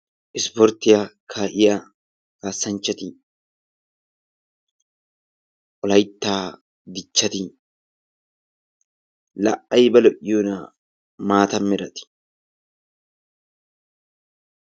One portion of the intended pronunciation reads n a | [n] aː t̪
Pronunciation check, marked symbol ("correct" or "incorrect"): incorrect